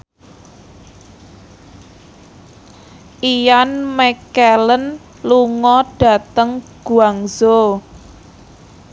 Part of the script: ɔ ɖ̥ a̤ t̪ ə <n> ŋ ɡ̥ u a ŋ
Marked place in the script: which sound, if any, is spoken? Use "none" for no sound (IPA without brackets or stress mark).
none